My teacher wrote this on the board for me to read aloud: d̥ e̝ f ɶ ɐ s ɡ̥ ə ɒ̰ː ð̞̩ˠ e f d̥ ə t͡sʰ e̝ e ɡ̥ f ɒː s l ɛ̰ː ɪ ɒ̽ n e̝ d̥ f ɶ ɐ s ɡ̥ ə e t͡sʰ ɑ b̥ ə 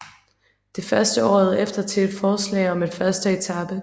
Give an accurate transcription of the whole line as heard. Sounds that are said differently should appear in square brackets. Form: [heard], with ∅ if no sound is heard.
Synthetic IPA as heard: d̥ e̝ f ɶ ɐ s [d̥] ə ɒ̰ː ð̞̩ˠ e f d̥ [ɐ] t͡sʰ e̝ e [d̥] f ɒː s l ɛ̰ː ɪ ɒ̽ [m] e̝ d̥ f ɶ ɐ s [d̥] ə e t͡sʰ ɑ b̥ ə